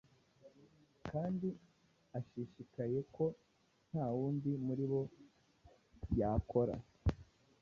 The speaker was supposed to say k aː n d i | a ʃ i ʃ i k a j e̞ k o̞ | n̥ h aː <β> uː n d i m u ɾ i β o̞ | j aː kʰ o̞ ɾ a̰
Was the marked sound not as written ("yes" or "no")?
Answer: yes